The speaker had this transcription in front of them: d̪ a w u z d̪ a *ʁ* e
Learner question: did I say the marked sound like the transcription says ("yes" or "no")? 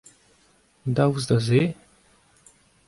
no